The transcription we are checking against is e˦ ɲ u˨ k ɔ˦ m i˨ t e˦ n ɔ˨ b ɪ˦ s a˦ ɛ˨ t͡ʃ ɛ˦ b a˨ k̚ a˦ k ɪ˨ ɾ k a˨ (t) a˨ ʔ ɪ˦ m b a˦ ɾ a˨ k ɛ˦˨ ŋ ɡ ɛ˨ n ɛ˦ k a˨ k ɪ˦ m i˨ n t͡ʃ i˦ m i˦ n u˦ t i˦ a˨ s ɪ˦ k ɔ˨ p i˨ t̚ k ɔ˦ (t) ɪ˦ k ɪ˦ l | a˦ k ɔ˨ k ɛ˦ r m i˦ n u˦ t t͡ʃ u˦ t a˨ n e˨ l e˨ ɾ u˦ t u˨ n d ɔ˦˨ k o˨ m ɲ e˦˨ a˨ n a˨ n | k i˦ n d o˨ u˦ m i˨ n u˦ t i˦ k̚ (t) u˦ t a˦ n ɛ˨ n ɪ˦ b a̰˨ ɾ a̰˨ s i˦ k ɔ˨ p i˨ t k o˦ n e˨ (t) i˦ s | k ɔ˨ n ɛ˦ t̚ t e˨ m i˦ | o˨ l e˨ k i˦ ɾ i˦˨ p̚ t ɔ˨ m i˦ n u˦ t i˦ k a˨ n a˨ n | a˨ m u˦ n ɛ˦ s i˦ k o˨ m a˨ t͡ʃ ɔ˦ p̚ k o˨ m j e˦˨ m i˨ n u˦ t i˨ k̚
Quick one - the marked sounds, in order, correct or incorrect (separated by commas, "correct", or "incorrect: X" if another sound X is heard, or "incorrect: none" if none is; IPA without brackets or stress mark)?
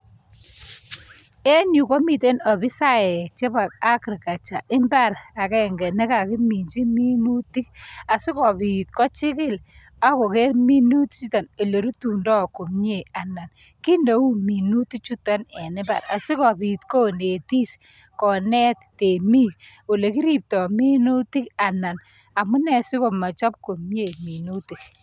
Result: incorrect: t͡ʃ, incorrect: t͡ʃ, incorrect: t͡ʃ, correct